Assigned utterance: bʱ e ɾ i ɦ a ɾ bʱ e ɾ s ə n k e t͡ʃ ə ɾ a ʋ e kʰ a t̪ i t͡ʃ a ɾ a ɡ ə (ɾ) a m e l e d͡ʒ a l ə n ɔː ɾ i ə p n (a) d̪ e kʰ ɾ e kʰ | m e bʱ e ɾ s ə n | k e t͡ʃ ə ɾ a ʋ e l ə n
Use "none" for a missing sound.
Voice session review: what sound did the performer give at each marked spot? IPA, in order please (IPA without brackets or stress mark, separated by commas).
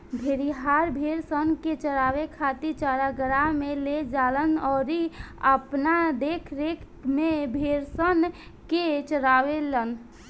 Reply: ɾ, a